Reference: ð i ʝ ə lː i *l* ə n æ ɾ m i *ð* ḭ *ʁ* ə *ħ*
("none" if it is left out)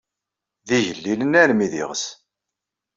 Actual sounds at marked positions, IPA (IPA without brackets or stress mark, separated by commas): l, ð, ʁ, s